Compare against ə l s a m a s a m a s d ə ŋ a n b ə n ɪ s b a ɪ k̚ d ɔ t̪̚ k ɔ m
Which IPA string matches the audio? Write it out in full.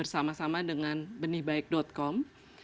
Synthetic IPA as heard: ə r s a m a s a m a d ə ŋ a n b ə n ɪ h b a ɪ k̚ d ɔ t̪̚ k ɔ m